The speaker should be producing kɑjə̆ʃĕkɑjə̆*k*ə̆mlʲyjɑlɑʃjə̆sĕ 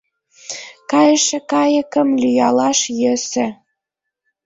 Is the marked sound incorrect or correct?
correct